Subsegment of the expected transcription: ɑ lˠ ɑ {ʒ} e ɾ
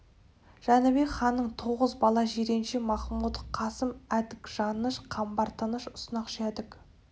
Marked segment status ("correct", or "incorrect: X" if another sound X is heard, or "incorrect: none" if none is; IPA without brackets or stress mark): correct